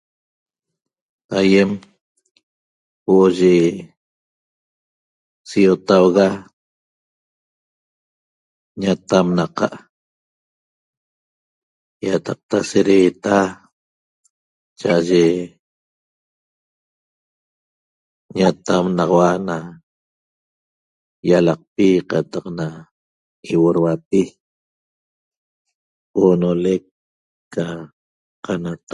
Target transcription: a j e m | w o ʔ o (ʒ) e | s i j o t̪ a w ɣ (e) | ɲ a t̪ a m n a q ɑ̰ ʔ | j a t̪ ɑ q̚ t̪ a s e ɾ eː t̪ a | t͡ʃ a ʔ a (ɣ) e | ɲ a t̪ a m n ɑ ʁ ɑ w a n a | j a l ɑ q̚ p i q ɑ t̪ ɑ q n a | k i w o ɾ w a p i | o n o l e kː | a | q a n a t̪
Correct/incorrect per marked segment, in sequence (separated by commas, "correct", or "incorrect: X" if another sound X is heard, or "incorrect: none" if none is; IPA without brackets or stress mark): correct, incorrect: a, incorrect: ʒ